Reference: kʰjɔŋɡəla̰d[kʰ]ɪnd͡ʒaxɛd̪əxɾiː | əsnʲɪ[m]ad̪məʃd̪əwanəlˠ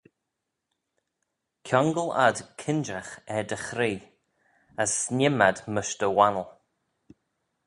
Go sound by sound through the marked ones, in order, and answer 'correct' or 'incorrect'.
correct, correct

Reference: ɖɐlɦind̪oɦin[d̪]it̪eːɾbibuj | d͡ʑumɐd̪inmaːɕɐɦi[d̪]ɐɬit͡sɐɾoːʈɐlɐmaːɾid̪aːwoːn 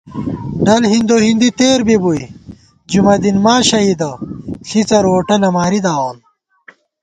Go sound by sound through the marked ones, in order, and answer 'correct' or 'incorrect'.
correct, correct

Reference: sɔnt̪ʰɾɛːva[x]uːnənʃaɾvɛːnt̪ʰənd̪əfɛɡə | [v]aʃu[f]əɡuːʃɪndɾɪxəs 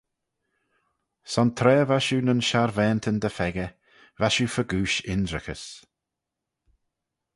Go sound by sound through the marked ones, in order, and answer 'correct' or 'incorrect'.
incorrect, correct, correct

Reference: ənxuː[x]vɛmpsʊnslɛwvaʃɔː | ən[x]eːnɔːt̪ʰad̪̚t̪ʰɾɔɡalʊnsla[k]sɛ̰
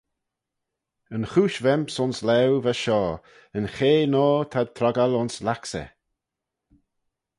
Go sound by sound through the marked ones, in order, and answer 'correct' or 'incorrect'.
incorrect, correct, correct

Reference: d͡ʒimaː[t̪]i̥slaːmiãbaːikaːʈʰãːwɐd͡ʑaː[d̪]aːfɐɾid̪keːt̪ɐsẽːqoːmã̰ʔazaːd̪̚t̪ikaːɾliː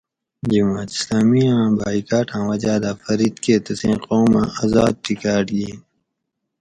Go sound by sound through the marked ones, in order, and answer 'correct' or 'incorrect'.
correct, correct

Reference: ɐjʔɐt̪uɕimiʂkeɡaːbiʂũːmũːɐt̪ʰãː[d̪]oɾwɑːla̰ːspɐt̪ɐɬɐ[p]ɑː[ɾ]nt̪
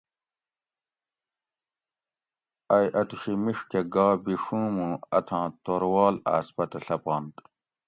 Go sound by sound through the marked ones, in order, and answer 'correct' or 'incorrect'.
incorrect, correct, incorrect

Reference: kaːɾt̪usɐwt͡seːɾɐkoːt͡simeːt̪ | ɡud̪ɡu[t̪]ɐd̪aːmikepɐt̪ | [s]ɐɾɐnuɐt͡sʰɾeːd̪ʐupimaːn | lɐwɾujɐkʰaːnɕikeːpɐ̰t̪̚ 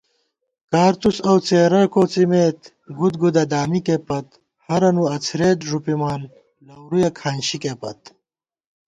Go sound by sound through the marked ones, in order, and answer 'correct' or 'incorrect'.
incorrect, incorrect

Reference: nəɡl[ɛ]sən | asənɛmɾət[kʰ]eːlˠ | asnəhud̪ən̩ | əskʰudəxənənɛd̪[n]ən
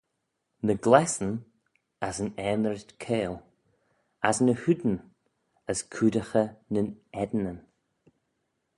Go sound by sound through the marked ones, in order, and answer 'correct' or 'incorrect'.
correct, correct, correct

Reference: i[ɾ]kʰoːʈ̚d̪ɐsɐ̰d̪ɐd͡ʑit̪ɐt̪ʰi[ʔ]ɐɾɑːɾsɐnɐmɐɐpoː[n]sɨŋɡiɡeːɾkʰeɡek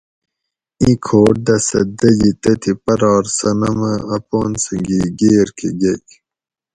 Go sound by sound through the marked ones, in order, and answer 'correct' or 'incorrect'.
incorrect, incorrect, correct

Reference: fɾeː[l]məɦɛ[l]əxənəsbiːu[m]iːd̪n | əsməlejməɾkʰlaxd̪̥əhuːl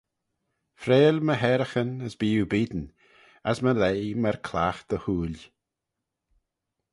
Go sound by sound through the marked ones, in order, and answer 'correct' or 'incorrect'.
correct, incorrect, incorrect

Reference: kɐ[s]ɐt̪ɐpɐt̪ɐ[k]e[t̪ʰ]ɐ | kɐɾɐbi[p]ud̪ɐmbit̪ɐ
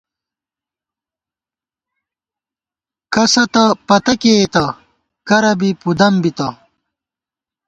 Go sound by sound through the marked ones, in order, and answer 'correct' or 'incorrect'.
correct, correct, incorrect, correct

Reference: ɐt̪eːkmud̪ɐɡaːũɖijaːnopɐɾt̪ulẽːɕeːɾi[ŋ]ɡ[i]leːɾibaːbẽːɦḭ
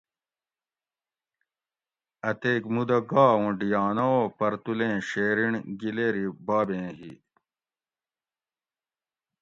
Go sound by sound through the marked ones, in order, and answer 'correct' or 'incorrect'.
incorrect, correct

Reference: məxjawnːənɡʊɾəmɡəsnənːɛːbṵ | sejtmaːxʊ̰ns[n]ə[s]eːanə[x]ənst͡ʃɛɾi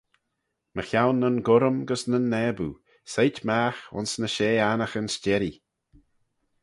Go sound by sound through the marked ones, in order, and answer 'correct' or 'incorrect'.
correct, incorrect, correct

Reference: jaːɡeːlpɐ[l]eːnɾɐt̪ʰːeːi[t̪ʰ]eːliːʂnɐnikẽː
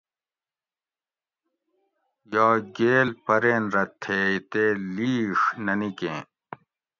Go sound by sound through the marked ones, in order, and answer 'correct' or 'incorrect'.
incorrect, incorrect

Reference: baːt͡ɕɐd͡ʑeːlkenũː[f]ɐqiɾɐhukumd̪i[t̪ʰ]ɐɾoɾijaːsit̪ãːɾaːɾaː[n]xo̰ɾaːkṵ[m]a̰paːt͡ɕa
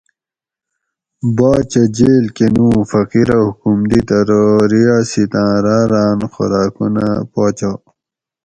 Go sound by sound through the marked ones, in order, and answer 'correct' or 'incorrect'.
correct, incorrect, correct, incorrect

